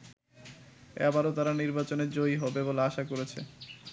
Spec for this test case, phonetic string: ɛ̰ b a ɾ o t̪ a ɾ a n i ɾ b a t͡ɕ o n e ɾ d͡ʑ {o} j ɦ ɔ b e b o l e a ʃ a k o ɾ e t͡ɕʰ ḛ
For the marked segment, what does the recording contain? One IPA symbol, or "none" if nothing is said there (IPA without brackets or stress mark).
o